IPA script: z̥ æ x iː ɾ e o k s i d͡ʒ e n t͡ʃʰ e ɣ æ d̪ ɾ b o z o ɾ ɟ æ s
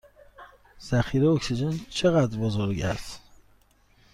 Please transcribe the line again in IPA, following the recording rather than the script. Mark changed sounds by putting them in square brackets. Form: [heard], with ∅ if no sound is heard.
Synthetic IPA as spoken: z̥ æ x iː ɾ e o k s i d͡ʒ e n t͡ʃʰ e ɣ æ d̪ ɾ b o z o ɾ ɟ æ s